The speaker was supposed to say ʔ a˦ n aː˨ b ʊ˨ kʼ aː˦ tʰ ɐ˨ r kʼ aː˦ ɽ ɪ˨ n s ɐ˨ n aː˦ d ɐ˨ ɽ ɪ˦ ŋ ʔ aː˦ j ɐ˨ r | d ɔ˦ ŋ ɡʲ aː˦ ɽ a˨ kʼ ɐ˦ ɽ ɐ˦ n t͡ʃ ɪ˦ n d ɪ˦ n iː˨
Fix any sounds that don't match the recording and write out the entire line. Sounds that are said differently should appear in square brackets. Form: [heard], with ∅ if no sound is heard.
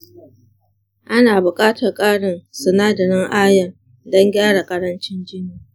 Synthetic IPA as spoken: ʔ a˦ n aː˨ b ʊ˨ kʼ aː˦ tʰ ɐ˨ r kʼ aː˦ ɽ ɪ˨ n s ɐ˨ n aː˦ d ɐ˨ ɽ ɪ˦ ŋ ʔ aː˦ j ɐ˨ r | d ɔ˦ ŋ ɡʲ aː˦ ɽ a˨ kʼ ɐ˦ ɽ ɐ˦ n t͡ʃ ɪ˦ n [d͡ʒ] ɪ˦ n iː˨